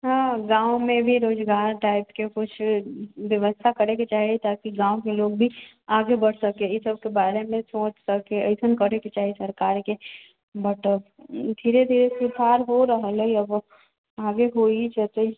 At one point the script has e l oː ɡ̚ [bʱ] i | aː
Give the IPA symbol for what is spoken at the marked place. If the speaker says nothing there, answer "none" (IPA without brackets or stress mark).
bʱ